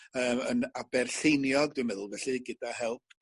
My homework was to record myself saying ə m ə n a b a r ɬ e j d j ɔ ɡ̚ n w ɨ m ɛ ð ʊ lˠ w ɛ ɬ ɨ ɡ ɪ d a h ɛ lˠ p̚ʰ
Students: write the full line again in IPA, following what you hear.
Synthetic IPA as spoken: əː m ə n a b ɛ r ɬ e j n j ɔ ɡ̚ d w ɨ m ɛ ð ʊ lˠ v ɛ ɬ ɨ ɡ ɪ d a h ɛ lˠ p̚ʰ